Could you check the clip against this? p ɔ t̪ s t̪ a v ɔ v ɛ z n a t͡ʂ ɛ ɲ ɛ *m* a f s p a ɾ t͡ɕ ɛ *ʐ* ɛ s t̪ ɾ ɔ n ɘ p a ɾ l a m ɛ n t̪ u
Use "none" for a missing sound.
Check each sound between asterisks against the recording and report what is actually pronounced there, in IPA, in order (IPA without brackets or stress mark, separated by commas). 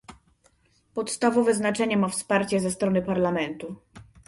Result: m, z